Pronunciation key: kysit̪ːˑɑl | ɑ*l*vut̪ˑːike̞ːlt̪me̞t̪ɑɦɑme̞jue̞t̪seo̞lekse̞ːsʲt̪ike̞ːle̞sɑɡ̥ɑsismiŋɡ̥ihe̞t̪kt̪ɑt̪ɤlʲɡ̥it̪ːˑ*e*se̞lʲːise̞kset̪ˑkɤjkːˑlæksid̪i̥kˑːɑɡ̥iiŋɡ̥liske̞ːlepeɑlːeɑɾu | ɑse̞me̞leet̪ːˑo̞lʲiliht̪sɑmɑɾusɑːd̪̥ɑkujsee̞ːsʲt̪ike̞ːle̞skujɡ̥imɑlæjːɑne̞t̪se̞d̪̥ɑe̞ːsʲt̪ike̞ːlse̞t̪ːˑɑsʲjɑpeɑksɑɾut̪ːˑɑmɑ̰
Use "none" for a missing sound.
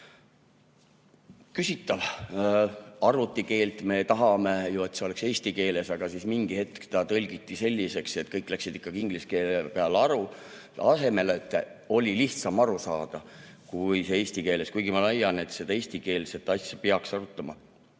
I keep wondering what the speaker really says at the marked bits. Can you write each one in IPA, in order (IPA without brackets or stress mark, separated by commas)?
r, i